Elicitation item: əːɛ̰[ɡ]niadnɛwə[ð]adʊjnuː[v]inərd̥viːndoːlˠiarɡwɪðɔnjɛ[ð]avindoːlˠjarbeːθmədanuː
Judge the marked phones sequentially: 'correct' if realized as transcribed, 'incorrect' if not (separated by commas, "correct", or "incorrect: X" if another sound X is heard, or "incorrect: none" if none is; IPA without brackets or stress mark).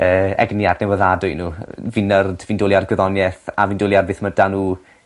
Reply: correct, correct, correct, incorrect: θ